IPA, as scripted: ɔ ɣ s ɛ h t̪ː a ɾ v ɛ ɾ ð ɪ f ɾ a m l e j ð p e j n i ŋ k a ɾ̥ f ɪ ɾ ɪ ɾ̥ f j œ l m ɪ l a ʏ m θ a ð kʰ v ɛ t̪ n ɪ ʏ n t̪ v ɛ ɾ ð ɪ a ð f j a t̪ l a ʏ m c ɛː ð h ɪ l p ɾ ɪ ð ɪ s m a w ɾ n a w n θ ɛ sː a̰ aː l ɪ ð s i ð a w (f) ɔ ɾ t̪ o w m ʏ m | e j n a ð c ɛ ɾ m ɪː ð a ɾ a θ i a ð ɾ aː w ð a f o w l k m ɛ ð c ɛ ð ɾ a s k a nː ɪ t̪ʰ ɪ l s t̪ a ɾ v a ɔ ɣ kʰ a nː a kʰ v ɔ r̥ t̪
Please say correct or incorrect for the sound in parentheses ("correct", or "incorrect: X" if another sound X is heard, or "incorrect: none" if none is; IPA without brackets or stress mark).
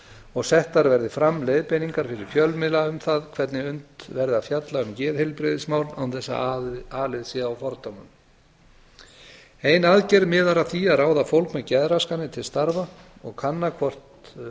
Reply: correct